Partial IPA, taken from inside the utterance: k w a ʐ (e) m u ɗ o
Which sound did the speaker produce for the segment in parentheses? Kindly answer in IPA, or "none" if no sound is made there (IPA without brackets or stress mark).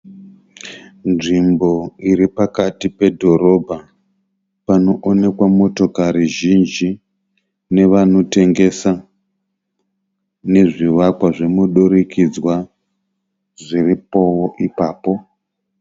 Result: e